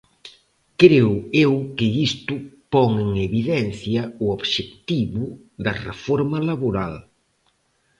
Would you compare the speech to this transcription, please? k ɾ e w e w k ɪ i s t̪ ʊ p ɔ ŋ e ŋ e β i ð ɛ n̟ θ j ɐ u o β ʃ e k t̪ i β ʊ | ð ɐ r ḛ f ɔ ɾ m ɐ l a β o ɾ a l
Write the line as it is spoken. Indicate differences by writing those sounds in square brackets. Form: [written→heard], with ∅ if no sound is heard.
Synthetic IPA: k ɾ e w e w k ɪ i s t̪ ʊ p ɔ ŋ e ŋ e β i ð ɛ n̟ θ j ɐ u o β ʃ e k t̪ i β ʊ | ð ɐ r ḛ f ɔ ɾ m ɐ l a β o ɾ a l